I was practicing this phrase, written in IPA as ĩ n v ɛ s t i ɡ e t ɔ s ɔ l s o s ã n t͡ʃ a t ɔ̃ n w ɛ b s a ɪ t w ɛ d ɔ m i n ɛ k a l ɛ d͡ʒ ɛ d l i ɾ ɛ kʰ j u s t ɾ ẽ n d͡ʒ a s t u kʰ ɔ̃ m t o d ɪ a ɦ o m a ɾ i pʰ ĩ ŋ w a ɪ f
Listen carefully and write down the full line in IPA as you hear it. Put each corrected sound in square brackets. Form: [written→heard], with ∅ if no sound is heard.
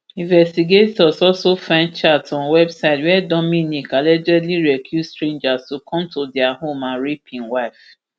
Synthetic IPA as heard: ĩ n v ɛ s t i ɡ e t ɔ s ɔ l s o [s→f] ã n t͡ʃ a t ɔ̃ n w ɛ b s a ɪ t w ɛ d ɔ m i n [ɛ→i] k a l ɛ d͡ʒ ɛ d l i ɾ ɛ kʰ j u s t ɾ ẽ n d͡ʒ a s t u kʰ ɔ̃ m t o d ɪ a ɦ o m a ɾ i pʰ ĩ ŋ w a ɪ f